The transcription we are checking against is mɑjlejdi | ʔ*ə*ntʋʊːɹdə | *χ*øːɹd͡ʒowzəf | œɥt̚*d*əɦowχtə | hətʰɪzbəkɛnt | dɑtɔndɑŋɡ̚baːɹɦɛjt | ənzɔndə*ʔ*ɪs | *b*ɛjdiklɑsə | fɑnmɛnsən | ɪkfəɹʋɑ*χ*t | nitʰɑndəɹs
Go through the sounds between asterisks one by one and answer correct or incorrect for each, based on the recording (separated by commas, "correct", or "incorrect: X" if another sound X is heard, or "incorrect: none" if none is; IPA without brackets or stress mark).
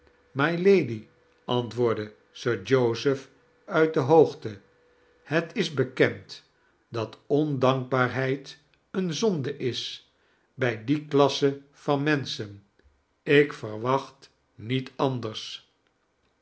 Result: incorrect: ɑ, incorrect: s, correct, correct, correct, correct